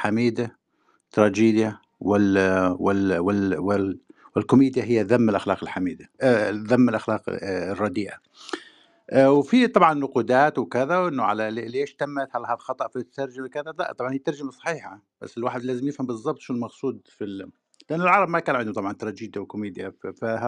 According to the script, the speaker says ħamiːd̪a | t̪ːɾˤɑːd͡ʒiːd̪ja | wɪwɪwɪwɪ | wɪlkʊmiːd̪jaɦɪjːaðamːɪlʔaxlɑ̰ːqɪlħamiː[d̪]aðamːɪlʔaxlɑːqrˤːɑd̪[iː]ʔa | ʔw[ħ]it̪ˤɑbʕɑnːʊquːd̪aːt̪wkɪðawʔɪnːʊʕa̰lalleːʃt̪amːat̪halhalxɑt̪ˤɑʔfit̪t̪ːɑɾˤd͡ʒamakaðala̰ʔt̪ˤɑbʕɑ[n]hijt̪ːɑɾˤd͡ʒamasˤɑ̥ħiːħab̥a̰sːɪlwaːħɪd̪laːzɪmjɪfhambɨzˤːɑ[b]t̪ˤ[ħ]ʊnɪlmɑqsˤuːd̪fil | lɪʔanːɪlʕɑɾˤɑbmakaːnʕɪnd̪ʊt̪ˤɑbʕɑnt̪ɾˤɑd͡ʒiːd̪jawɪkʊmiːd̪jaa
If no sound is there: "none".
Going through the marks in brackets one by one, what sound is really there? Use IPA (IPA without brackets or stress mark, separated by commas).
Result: d̪, iː, f, n, b, ʃ